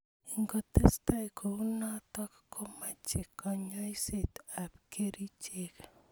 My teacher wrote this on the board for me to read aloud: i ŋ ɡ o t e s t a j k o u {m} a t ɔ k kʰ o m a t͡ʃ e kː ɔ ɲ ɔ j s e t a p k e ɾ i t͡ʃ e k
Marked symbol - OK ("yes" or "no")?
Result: no